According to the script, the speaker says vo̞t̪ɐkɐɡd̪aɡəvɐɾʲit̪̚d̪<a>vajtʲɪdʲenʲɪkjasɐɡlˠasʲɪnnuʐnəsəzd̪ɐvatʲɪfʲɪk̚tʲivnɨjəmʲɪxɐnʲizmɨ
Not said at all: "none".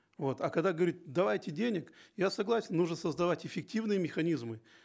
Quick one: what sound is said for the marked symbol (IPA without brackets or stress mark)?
ɐ